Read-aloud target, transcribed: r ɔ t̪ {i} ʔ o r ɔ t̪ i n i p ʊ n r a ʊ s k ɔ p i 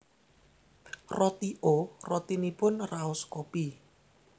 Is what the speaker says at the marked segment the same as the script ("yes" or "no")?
yes